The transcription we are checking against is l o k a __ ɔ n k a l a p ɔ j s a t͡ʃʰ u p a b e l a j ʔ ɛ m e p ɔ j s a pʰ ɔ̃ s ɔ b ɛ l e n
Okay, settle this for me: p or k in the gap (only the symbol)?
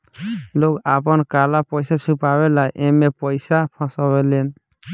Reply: p